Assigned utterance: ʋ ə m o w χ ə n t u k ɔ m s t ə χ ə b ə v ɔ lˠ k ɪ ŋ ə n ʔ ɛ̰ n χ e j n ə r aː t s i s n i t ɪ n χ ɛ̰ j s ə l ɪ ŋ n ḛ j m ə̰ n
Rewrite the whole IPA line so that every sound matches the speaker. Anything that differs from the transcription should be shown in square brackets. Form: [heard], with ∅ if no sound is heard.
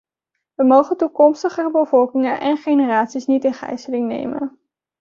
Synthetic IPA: ʋ ə m o w χ ə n t u k ɔ m s t ə χ ə b ə v ɔ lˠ k ɪ ŋ ə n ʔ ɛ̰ n χ e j n ə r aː t s i s n i t ɪ n χ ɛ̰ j s ə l ɪ ŋ n ḛ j m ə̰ n